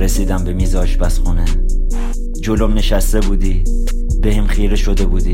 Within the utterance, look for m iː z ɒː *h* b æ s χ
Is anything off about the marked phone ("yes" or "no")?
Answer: yes